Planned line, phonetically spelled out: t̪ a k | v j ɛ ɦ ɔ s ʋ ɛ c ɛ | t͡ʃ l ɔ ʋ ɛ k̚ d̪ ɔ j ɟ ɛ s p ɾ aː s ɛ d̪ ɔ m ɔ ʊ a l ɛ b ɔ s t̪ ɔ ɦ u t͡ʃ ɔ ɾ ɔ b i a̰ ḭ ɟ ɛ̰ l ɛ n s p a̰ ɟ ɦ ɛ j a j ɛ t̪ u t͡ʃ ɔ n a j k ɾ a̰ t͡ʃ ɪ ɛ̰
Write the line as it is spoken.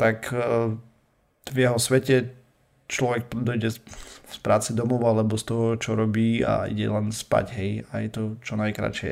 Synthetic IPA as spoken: t̪ a k | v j ɛ ɦ ɔ s ʋ ɛ c ɛ | t͡ʃ l ɔ ʋ ɛ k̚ d̪ ɔ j ɟ ɛ s p ɾ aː t͡s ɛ d̪ ɔ m ɔ ʊ a l ɛ b ɔ s t̪ ɔ ɦ ɔ t͡ʃ ɔ ɾ ɔ b iː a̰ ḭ ɟ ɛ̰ l ɛ n s p a̰ ɟ ɦ ɛ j a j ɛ t̪ ɔ t͡ʃ ɔ n a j k ɾ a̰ t͡ʃ ɪ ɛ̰